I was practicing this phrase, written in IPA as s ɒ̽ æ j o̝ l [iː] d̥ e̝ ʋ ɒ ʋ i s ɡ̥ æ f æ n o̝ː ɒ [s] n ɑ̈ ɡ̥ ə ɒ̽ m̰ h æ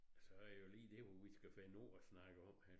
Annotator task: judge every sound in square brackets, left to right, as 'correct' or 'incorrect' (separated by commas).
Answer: correct, correct